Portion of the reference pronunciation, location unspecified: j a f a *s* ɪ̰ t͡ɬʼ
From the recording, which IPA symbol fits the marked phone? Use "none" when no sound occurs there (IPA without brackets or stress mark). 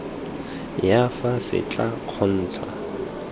s